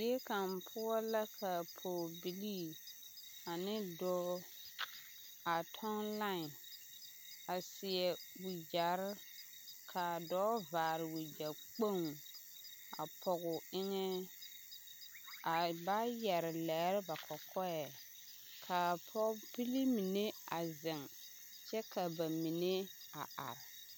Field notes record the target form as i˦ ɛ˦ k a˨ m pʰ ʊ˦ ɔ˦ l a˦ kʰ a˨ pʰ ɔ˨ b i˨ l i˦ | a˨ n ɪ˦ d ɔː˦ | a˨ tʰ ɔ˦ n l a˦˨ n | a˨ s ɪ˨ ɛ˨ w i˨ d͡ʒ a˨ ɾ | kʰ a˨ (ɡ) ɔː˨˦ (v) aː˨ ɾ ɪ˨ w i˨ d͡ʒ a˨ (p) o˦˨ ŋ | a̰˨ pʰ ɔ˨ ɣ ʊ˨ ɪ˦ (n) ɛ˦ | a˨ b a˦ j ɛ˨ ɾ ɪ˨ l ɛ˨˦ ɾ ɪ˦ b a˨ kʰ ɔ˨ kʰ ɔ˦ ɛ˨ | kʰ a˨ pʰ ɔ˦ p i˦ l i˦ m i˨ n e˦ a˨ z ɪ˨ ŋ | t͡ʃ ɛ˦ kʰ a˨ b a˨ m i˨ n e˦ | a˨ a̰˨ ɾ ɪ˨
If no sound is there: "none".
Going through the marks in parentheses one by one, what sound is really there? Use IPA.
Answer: d, v, k͡p, ŋ

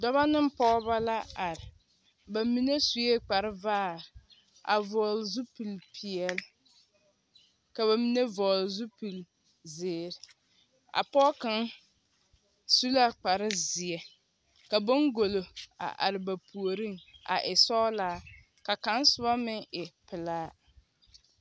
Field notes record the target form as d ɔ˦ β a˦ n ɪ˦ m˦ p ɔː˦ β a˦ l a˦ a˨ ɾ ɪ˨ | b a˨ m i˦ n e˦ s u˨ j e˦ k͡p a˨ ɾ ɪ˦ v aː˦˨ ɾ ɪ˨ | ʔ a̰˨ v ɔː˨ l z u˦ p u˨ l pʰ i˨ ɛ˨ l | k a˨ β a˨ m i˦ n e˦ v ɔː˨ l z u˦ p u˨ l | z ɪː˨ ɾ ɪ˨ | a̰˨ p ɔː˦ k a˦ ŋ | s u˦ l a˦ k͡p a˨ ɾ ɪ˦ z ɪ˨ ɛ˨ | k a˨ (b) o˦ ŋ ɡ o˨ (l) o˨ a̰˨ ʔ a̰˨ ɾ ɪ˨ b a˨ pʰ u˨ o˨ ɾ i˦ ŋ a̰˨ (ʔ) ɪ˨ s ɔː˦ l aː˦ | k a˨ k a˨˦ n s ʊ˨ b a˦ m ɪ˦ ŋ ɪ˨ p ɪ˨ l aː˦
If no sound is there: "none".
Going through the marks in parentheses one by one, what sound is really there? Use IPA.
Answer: b, l, ʔ

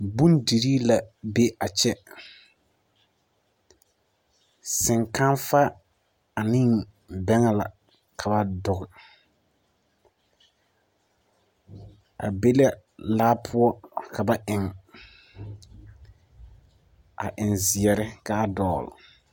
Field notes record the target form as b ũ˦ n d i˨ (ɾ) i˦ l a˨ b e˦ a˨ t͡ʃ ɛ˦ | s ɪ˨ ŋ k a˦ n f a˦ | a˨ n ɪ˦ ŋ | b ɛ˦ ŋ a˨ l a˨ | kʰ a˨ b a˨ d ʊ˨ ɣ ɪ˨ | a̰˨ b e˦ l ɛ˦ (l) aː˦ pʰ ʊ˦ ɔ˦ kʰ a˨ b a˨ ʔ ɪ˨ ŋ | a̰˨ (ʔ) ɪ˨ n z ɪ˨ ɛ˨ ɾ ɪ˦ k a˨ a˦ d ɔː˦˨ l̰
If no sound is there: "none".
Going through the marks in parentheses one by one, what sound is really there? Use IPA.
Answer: ɾ, l, ʔ

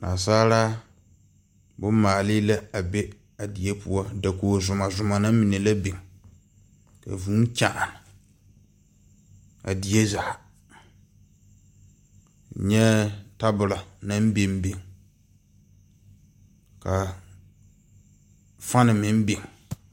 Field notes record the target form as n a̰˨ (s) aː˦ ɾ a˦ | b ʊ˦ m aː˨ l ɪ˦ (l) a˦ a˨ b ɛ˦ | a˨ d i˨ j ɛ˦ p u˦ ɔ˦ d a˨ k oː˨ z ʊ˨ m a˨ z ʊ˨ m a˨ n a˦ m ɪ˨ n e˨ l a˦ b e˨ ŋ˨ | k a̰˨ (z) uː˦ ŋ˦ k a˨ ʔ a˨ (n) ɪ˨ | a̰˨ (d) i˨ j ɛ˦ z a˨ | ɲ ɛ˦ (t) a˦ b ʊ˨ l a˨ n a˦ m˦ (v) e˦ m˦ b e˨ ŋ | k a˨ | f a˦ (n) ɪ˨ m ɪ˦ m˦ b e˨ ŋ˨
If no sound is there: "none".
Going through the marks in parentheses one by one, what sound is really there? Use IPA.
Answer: s, l, v, n, d, t, b, n

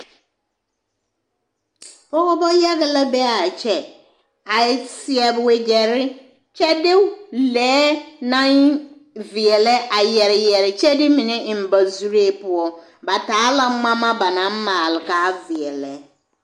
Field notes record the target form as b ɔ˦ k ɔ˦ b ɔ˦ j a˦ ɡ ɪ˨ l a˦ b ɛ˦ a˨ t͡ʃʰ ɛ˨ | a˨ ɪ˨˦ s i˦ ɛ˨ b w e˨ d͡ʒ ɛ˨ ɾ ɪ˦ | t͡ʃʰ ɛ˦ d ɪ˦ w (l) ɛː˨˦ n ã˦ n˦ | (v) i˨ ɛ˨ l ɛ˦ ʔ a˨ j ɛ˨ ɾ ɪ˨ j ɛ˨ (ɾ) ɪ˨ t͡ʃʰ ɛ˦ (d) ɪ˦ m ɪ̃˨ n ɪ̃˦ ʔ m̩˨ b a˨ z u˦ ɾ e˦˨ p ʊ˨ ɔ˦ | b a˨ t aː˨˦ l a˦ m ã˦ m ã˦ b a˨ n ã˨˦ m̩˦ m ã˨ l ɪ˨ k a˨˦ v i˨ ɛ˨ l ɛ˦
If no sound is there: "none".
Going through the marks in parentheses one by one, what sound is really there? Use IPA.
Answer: l, v, ɾ, d

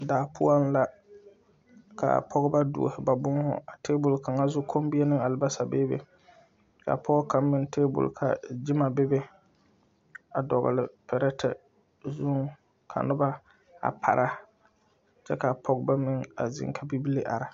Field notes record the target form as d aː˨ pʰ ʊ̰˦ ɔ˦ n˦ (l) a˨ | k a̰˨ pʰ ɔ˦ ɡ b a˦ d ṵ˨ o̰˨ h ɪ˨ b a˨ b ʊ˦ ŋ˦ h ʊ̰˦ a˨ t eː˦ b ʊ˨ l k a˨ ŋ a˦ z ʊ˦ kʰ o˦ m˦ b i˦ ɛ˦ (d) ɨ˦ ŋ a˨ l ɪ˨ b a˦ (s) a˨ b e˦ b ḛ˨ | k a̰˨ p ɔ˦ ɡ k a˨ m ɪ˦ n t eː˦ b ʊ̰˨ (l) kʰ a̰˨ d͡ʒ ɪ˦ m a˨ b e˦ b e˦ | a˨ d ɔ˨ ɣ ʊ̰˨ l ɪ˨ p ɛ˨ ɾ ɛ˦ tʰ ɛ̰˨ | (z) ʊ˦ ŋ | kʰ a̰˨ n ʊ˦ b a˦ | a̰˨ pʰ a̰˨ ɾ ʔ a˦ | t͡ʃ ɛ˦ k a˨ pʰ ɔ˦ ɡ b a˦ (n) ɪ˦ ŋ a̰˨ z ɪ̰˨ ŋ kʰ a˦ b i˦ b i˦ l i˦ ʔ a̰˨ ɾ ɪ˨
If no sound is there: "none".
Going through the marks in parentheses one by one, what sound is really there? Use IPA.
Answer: l, n, s, l, z, m

